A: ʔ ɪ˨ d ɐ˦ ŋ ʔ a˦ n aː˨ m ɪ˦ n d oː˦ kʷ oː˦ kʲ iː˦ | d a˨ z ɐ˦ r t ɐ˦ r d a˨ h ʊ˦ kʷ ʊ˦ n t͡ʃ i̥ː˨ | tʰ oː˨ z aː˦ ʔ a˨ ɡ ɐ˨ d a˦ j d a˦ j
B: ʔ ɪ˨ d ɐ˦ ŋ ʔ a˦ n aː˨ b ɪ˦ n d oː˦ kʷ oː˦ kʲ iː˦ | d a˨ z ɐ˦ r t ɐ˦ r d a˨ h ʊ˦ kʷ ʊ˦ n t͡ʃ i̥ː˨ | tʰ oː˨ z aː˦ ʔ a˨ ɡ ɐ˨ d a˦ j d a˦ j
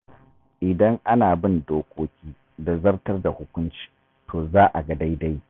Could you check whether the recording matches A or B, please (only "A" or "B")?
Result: B